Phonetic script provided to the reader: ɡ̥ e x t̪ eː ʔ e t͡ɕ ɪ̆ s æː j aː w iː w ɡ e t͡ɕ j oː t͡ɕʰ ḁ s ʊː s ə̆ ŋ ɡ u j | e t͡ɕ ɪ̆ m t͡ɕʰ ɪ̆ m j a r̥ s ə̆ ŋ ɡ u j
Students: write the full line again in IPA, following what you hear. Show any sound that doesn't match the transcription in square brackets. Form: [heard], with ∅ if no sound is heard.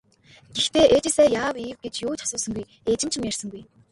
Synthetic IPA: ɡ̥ e x t̪ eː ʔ e t͡ɕ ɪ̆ s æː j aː w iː w ɡ e t͡ɕ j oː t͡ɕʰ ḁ s ʊː s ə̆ ŋ ɡ u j | e t͡ɕ ɪ̆ m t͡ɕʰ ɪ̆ m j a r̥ s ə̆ ŋ ɡ u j